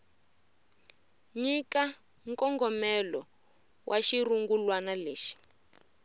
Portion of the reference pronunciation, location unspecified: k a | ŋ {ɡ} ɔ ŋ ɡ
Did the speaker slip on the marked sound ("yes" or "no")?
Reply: yes